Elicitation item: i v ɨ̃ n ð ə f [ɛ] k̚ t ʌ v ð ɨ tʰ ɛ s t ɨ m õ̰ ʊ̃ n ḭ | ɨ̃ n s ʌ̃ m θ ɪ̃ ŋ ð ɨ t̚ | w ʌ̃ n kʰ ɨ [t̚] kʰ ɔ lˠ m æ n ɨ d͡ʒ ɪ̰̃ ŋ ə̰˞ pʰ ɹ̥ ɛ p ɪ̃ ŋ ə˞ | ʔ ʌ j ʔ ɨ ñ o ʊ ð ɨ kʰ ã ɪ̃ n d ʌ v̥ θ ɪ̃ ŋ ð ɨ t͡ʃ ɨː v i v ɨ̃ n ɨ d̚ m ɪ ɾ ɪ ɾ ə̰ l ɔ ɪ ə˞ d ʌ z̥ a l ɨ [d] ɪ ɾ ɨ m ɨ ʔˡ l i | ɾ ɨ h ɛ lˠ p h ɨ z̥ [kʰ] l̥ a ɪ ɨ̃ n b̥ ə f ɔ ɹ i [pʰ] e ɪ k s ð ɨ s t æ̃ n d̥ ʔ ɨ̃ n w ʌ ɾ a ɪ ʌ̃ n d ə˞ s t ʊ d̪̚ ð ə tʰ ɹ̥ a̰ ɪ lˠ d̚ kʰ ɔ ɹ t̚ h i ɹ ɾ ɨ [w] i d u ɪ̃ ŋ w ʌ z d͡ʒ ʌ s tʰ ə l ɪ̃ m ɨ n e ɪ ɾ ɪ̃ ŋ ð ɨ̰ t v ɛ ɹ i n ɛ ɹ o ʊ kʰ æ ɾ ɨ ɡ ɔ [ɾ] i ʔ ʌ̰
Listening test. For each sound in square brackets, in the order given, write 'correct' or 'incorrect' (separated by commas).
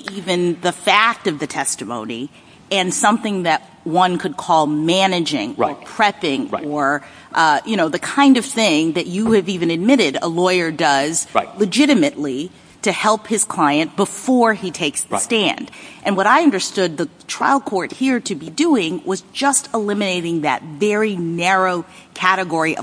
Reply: incorrect, incorrect, incorrect, correct, incorrect, incorrect, incorrect